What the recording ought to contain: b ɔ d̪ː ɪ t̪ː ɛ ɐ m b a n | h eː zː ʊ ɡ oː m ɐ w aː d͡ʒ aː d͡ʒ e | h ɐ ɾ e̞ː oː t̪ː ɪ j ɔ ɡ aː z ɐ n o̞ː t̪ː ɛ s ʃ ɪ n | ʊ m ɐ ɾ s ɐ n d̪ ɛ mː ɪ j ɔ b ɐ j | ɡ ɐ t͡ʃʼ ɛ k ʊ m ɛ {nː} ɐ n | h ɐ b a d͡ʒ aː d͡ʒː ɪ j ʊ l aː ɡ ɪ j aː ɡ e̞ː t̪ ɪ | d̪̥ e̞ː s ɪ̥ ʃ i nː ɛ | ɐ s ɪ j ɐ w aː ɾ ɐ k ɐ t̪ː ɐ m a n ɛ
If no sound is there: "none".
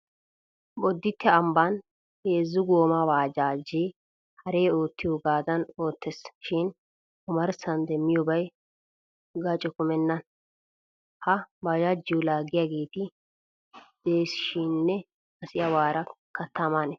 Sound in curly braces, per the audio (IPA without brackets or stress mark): nː